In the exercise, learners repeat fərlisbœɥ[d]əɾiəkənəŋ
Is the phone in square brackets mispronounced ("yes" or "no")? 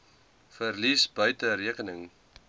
yes